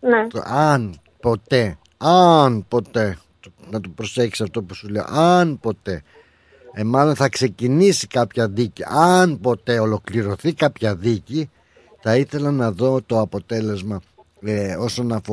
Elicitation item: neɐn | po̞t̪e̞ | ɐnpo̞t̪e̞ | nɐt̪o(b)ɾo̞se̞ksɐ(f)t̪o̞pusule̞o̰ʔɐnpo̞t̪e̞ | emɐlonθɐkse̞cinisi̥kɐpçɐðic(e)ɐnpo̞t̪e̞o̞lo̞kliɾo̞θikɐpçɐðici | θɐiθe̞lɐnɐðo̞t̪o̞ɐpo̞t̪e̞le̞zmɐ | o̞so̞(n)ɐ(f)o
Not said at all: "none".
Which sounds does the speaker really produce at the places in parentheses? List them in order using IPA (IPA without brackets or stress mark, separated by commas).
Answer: p, f, i, n, f